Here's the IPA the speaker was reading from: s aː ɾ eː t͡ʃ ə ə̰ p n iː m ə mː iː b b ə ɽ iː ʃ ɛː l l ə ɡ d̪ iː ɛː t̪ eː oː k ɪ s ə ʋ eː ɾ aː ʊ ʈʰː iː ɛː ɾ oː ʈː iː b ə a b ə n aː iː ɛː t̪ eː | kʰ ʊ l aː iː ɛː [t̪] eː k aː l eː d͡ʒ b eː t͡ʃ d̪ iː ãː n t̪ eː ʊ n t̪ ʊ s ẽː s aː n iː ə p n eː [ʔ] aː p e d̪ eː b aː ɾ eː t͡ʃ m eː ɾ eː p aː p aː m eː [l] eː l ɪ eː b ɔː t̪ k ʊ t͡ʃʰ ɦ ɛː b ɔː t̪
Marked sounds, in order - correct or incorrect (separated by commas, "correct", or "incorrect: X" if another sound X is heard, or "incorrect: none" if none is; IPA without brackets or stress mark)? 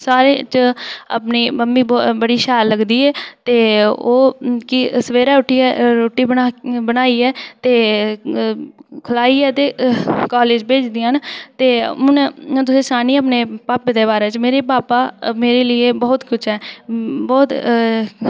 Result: correct, incorrect: p, incorrect: ɾ